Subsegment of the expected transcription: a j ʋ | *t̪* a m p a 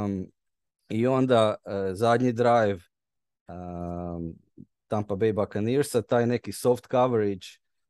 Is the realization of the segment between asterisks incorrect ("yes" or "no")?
no